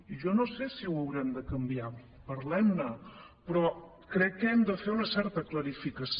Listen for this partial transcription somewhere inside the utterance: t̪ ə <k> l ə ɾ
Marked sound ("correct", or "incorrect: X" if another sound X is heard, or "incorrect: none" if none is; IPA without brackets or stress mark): correct